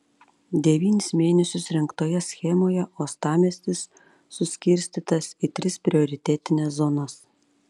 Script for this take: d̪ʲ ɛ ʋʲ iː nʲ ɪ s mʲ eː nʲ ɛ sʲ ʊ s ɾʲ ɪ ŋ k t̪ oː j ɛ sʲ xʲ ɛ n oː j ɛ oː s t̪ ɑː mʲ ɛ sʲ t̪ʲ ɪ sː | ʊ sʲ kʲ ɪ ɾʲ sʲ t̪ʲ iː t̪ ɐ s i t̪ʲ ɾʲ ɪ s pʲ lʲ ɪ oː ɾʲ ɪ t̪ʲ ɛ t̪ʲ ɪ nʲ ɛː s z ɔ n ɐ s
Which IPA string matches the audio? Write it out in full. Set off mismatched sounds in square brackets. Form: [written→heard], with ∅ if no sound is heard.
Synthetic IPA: d̪ʲ ɛ ʋʲ iː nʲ ɪ s mʲ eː nʲ ɛ sʲ ʊ s ɾʲ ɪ ŋ k t̪ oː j ɛ sʲ xʲ ɛ [n→m] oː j ɛ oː s t̪ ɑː mʲ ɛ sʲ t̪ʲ ɪ sː | ʊ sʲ kʲ ɪ ɾʲ sʲ t̪ʲ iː t̪ ɐ s i t̪ʲ ɾʲ ɪ s pʲ [lʲ→ɾʲ] ɪ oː ɾʲ ɪ t̪ʲ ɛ t̪ʲ ɪ nʲ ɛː s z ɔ n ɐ s

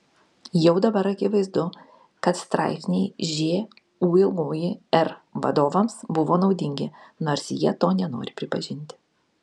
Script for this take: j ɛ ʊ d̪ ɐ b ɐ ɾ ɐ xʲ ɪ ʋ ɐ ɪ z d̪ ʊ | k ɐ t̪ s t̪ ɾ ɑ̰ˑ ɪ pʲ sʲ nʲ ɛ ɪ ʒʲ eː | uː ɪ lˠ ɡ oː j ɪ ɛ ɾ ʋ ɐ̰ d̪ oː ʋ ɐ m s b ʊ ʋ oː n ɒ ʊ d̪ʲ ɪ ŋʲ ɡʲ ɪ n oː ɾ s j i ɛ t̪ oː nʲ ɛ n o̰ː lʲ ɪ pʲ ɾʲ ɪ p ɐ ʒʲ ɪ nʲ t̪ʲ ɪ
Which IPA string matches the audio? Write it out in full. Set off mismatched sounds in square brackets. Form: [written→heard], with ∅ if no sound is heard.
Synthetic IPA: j ɛ ʊ d̪ ɐ b ɐ ɾ ɐ [xʲ→kʲ] ɪ ʋ ɐ ɪ z d̪ ʊ | k ɐ t̪ s t̪ ɾ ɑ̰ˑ ɪ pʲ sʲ nʲ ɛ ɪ ʒʲ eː | uː ɪ lˠ ɡ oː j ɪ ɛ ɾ ʋ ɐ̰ d̪ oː ʋ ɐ m s b ʊ ʋ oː n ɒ ʊ d̪ʲ ɪ ŋʲ ɡʲ ɪ n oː ɾ s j i ɛ t̪ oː nʲ ɛ n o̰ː [lʲ→ɾʲ] ɪ pʲ ɾʲ ɪ p ɐ ʒʲ ɪ nʲ t̪ʲ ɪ

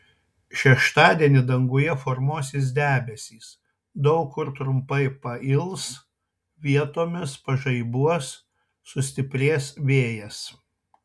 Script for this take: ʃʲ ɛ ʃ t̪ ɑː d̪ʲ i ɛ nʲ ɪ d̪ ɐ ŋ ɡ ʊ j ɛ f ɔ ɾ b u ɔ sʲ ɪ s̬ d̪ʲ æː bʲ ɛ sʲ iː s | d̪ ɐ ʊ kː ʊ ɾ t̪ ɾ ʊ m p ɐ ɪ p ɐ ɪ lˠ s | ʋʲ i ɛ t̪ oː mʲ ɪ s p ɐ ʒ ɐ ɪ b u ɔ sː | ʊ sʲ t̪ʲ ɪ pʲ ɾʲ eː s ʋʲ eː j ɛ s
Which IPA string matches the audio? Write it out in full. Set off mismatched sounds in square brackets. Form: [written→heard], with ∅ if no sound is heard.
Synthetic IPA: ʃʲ ɛ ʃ t̪ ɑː d̪ʲ i ɛ nʲ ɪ d̪ ɐ ŋ ɡ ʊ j ɛ f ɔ ɾ [b→m] u ɔ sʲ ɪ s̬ d̪ʲ æː bʲ ɛ sʲ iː s | d̪ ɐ ʊ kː ʊ ɾ t̪ ɾ ʊ m p ɐ ɪ p ɐ ɪ lˠ s | ʋʲ i ɛ t̪ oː mʲ ɪ s p ɐ ʒ ɐ ɪ b u ɔ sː | ʊ sʲ t̪ʲ ɪ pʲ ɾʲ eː s ʋʲ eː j ɛ s

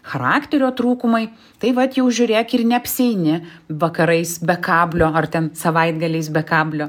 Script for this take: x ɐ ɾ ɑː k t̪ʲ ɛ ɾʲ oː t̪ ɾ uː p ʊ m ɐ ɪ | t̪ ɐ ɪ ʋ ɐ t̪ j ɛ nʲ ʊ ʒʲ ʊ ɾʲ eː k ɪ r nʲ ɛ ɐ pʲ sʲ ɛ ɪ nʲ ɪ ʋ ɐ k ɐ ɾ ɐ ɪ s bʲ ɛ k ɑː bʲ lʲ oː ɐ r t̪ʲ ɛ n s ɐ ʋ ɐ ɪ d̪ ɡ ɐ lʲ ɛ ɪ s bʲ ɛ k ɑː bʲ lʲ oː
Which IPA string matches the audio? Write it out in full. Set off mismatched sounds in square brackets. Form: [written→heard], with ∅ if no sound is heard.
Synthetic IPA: x ɐ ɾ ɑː k t̪ʲ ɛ ɾʲ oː t̪ ɾ uː [p→k] ʊ m ɐ ɪ | t̪ ɐ ɪ ʋ ɐ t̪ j ɛ [nʲ→∅] ʊ ʒʲ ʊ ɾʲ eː k ɪ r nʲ ɛ ɐ pʲ sʲ ɛ ɪ nʲ ɪ ʋ ɐ k ɐ ɾ ɐ ɪ s bʲ ɛ k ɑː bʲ lʲ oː ɐ r t̪ʲ ɛ n s ɐ ʋ ɐ ɪ d̪ ɡ ɐ lʲ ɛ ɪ s bʲ ɛ k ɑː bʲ lʲ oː

